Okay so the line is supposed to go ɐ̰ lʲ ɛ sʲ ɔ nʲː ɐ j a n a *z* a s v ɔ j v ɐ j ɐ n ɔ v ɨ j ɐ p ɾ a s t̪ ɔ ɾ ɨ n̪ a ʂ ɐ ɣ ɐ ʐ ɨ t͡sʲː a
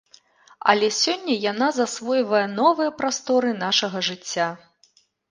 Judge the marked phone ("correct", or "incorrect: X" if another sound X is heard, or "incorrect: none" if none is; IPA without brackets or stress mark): correct